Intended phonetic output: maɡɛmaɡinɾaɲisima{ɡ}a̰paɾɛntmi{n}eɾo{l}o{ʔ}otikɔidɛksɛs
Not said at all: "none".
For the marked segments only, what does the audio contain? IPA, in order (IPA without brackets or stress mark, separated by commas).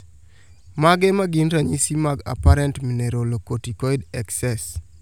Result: ɡ, n, l, k